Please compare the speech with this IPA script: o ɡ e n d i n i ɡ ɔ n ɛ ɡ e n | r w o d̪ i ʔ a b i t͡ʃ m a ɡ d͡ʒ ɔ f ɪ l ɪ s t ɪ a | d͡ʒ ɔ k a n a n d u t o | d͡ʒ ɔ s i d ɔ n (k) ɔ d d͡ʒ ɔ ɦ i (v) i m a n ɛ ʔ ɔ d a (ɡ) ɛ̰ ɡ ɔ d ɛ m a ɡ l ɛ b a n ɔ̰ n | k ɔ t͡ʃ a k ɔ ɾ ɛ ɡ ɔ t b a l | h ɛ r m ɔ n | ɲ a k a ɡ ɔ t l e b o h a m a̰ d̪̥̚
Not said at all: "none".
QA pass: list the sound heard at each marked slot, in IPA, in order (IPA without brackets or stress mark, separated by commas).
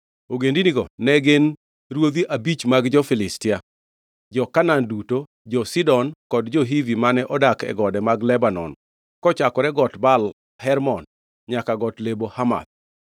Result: k, v, k